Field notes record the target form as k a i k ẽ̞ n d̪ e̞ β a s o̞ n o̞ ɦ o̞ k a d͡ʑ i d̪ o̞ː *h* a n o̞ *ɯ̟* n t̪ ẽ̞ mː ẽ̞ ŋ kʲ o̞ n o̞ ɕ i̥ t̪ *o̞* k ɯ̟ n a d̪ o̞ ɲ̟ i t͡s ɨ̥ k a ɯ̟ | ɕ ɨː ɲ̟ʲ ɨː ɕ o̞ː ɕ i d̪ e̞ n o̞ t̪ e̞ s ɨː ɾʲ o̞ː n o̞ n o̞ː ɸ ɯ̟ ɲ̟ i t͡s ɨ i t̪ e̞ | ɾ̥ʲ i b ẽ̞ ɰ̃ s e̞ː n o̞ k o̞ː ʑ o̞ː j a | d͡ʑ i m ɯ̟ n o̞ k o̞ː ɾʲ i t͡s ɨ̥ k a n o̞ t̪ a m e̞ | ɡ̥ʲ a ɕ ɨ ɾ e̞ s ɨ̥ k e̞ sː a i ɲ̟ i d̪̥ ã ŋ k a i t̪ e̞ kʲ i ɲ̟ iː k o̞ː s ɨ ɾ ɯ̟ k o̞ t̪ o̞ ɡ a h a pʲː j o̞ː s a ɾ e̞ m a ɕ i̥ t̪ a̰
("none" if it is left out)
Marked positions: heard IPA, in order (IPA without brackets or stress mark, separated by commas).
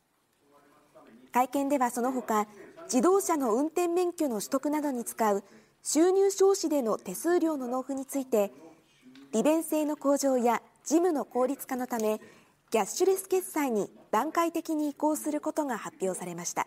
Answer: ɕ, ɯ̟̃, o̞